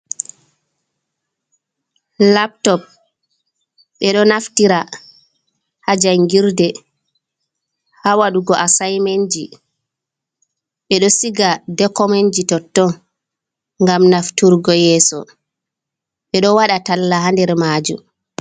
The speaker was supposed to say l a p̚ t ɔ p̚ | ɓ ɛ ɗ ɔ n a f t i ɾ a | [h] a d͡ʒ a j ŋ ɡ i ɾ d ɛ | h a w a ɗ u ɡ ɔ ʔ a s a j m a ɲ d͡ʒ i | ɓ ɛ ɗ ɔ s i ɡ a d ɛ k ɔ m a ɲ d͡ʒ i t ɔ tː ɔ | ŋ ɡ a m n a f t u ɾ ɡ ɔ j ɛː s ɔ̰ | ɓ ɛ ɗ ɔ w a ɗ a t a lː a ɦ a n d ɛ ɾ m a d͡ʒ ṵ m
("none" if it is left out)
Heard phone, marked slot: h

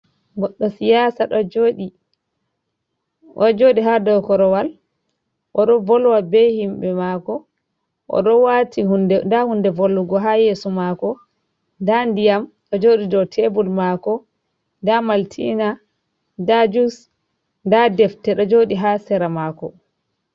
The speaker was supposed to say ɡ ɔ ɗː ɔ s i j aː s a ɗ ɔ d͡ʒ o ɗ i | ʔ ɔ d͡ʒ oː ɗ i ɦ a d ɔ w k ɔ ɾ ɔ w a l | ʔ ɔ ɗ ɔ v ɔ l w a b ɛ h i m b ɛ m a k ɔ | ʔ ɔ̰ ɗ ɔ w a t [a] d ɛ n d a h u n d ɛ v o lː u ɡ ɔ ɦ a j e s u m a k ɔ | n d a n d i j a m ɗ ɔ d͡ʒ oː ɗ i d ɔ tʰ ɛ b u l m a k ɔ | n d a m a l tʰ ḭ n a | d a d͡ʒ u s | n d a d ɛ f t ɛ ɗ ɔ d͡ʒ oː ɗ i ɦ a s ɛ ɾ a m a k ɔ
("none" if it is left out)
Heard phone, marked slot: i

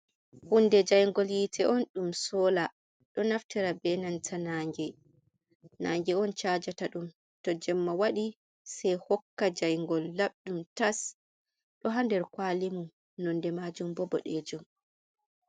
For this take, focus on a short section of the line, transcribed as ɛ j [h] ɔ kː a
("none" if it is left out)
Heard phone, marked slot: h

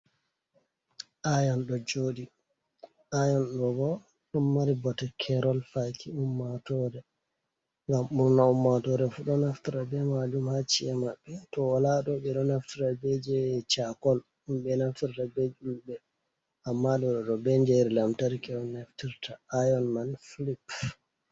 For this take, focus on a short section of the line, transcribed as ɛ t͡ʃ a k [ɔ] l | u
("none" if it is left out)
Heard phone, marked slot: ɔ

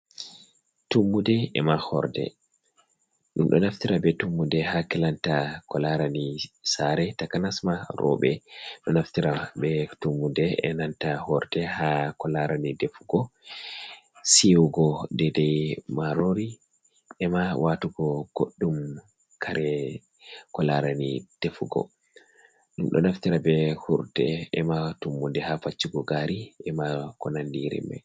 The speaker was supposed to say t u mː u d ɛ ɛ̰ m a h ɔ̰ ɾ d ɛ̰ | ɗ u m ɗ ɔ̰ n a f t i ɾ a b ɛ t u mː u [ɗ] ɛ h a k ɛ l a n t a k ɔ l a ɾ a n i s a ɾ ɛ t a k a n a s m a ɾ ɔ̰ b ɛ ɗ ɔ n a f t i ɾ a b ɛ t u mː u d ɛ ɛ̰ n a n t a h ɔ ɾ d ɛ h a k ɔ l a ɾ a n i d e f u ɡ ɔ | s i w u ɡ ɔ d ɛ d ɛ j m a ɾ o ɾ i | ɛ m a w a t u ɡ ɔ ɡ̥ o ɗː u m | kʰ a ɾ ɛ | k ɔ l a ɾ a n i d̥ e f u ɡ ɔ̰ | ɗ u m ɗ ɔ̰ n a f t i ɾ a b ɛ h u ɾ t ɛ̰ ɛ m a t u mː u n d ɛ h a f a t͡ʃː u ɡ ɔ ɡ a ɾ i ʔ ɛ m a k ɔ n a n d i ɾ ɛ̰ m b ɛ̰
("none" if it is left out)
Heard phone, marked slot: d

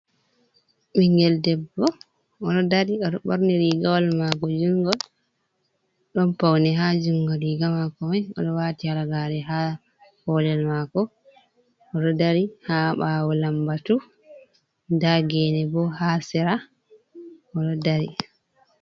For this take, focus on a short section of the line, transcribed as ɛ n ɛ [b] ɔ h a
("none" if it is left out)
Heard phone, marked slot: b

